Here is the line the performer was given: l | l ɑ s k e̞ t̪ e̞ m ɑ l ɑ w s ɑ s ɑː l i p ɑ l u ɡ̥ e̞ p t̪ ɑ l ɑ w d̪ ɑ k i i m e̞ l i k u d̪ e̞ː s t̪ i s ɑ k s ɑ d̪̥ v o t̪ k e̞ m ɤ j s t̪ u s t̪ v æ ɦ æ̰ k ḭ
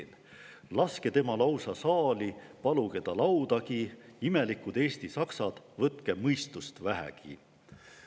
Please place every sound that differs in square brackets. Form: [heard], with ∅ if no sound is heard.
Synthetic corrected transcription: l | l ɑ s k e̞ t̪ e̞ m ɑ l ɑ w s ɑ s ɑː l i p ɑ l u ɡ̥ e̞ [∅] t̪ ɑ l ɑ w d̪ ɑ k i i m e̞ l i k u d̪ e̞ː s t̪ i s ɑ k s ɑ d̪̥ v [ɤ] t̪ k e̞ m ɤ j s t̪ u s t̪ v æ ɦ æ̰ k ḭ